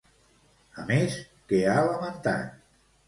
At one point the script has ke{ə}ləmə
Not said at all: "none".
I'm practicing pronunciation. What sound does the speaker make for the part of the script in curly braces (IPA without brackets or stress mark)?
a